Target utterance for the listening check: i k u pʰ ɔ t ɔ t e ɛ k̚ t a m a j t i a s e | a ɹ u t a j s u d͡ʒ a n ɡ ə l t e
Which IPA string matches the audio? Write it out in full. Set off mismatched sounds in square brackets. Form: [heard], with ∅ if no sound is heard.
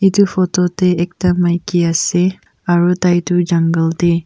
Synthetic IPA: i [t] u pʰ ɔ t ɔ t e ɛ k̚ t a m a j [k] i a s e | a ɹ u t a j [t] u d͡ʒ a [ŋ] ɡ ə l t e